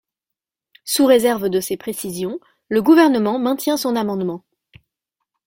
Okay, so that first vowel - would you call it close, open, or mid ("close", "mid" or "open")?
close